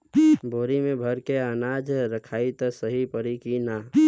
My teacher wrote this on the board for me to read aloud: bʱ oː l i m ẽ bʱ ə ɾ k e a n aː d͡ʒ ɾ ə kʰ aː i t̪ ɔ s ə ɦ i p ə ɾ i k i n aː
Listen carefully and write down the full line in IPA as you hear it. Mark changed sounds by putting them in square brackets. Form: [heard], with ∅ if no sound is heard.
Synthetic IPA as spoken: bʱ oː [ɾ] i m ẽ bʱ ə ɾ k e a n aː d͡ʒ ɾ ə kʰ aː i t̪ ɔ s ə ɦ i p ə ɾ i k i n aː